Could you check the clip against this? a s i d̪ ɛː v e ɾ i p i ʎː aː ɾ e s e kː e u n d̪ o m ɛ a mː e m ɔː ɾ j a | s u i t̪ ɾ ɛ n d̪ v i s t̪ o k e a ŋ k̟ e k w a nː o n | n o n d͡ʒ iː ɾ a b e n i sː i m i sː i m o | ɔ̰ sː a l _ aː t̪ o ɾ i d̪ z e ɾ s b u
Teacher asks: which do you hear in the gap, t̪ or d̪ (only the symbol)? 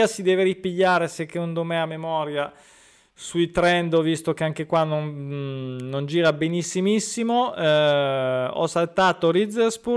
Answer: t̪